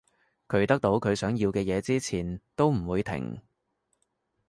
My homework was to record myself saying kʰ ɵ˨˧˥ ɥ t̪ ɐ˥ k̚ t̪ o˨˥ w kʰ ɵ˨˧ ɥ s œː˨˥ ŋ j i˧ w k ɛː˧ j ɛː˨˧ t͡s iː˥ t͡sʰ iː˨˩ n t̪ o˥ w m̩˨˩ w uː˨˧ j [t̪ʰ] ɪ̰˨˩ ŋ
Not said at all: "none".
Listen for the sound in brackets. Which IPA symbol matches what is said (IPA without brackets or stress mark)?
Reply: t̪ʰ